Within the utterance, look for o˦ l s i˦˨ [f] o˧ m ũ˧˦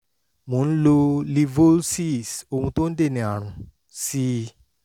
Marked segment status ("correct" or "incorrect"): incorrect